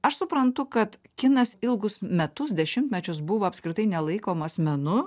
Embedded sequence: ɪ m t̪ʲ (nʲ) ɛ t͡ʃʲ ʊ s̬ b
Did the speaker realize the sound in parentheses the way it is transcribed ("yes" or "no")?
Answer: no